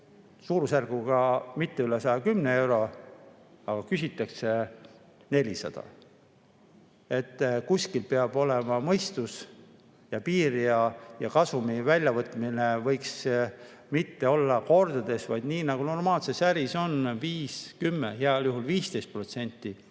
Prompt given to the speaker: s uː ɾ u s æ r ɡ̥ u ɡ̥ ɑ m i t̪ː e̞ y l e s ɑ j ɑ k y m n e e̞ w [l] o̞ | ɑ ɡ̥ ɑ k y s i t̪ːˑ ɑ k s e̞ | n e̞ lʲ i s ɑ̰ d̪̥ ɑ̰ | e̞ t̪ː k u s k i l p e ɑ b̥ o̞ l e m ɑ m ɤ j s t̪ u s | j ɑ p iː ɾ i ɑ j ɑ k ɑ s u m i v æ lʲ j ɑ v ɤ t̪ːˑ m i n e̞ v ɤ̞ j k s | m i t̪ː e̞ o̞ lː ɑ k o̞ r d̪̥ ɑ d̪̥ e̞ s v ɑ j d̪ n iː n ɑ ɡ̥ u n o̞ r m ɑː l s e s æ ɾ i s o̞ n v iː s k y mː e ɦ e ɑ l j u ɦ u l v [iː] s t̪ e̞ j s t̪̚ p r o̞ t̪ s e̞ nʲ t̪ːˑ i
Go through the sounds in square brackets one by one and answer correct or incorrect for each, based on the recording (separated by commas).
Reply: incorrect, correct